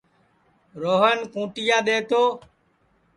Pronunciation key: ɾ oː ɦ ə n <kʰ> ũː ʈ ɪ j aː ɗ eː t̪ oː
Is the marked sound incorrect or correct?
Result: incorrect